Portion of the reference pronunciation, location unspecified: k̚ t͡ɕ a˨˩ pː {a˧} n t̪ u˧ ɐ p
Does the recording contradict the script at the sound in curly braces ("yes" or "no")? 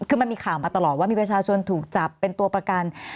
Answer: yes